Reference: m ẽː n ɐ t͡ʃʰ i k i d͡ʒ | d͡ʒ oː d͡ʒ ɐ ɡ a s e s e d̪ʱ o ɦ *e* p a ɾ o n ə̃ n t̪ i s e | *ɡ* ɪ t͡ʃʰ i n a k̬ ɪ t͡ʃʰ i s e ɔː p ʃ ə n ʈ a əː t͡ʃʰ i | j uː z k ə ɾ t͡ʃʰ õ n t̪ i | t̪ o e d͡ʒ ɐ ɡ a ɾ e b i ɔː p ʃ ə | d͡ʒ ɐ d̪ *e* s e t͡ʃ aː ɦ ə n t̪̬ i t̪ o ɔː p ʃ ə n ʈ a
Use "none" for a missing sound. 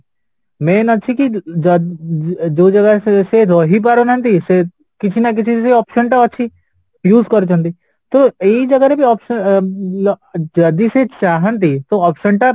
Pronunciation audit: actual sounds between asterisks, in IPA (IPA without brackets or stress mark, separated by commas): i, k, i